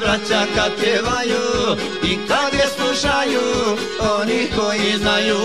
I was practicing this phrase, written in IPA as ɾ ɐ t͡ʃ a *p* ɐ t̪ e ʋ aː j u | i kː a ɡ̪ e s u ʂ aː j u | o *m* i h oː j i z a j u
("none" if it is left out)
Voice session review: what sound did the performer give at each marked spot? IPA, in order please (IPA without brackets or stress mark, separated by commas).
k, n